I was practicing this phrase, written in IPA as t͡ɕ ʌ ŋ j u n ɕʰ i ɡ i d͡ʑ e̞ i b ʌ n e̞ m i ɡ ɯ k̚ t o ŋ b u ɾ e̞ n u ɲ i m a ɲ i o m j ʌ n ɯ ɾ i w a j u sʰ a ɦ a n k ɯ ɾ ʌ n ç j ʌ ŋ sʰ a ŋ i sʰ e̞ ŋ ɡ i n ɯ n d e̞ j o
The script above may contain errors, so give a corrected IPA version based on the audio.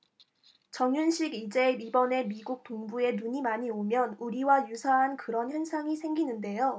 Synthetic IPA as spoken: t͡ɕ ʌ ŋ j u n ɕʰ i ɡ i d͡ʑ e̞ i b ʌ n e̞ m i ɡ u k̚ t o ŋ b u e̞ n u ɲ i m a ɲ i o m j ʌ n u ɾ i w a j u sʰ a ɦ a n k ɯ ɾ ʌ n ç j ʌ n sʰ a ŋ i sʰ e̞ ŋ ɡ i n ɯ n d e̞ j o

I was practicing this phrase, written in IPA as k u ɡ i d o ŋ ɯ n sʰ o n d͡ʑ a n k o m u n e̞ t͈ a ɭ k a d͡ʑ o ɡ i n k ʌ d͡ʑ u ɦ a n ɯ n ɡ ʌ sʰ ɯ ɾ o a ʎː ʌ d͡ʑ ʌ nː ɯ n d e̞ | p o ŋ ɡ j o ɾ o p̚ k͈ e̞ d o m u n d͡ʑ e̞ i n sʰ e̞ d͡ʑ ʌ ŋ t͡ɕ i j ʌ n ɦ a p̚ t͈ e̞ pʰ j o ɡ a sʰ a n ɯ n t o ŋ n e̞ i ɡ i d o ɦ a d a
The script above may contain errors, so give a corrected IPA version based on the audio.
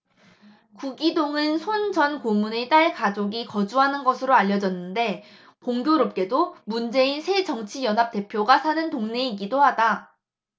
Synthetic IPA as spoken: k u ɡ i d o ŋ ɯ n sʰ o n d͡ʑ ʌ n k o m u n e̞ t͈ a ɭ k a d͡ʑ o ɡ i k ʌ d͡ʑ u ɦ a n ɯ n ɡ ʌ sʰ ɯ ɾ o a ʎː ʌ d͡ʑ ʌ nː ɯ n d e̞ | p o ŋ ɡ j o ɾ o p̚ k͈ e̞ d o m u n d͡ʑ e̞ i n sʰ e̞ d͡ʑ ʌ ŋ t͡ɕʰ i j ʌ n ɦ a p̚ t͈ e̞ pʰ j o ɡ a sʰ a n ɯ n t o ŋ n e̞ i ɡ i d o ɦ a d a

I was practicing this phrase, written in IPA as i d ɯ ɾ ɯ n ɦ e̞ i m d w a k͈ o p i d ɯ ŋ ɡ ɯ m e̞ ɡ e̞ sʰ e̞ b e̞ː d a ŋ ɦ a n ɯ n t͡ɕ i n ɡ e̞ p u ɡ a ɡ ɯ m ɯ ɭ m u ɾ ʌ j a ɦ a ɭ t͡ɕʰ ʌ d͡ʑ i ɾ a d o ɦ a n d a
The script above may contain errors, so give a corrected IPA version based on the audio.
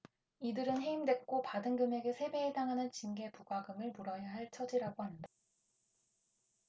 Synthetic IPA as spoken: i d ɯ ɾ ɯ n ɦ e̞ i m d w e k͈ o p a d ɯ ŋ ɡ ɯ m e̞ ɡ e̞ sʰ e̞ b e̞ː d a ŋ ɦ a n ɯ n t͡ɕ i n ɡ e̞ p u ɡ a ɡ ɯ m ɯ ɭ m u ɾ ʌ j a ɦ a ɭ t͡ɕʰ ʌ d͡ʑ i ɾ a ɡ o ɦ a n d a

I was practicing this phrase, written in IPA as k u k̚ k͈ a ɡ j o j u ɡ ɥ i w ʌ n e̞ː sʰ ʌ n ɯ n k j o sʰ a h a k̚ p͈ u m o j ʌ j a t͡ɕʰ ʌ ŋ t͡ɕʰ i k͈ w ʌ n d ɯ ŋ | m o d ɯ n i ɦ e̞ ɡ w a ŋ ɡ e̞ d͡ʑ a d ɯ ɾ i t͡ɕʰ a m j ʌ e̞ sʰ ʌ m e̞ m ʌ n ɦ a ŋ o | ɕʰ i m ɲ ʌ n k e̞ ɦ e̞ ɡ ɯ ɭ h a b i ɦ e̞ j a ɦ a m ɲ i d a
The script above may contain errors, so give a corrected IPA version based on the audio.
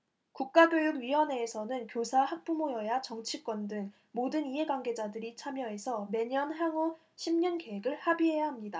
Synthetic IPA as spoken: k u k̚ k͈ a ɡ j o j u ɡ ɥ i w ʌ n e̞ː sʰ ʌ n ɯ n k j o sʰ a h a k̚ p͈ u m o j ʌ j a t͡ɕ ʌ ŋ t͡ɕʰ i k͈ w ʌ n d ɯ ŋ | m o d ɯ n i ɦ e̞ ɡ w a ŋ ɡ e̞ d͡ʑ a d ɯ ɾ i t͡ɕʰ a m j ʌ e̞ sʰ ʌ m e̞ ɲ ʌ n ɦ a ŋ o | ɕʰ i m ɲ ʌ n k e̞ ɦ e̞ ɡ ɯ ɭ h a b i ɦ e̞ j a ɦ a m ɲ i d a

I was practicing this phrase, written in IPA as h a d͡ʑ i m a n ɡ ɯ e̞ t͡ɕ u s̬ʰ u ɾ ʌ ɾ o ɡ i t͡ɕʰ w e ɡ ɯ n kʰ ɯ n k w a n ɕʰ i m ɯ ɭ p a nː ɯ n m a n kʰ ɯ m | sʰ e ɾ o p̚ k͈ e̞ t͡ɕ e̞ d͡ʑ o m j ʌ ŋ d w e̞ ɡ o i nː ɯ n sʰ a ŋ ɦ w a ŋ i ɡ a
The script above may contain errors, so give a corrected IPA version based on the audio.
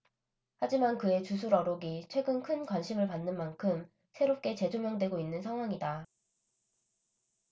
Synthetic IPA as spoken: h a d͡ʑ i m a n k ɯ e̞ t͡ɕ u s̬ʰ u ɾ ʌ ɾ o ɡ i t͡ɕʰ w e ɡ ɯ n kʰ ɯ n k w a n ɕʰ i m ɯ ɭ p a nː ɯ n m a n kʰ ɯ m | sʰ e ɾ o p̚ k͈ e̞ t͡ɕ e̞ d͡ʑ o m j ʌ ŋ d w e̞ ɡ o i nː ɯ n sʰ a ŋ ɦ w a ŋ i d a

